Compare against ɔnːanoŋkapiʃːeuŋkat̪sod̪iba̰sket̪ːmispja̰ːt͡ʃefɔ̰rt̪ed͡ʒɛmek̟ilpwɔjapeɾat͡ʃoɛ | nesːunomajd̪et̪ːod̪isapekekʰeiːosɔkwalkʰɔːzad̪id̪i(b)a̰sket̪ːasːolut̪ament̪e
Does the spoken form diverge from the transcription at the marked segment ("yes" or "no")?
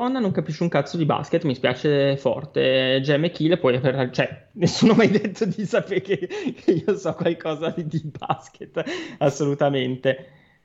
no